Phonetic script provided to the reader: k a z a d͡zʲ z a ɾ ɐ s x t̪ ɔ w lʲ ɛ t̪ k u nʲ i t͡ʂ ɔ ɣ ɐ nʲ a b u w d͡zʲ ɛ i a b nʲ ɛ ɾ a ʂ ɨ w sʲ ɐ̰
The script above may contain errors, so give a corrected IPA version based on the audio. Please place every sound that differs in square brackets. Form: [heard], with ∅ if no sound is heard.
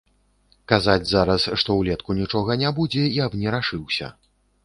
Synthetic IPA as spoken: k a z a d͡zʲ z a ɾ ɐ s [ʂ] t̪ ɔ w lʲ ɛ t̪ k u nʲ i t͡ʂ ɔ ɣ ɐ nʲ a b u [∅] d͡zʲ ɛ i a b nʲ ɛ ɾ a ʂ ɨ w sʲ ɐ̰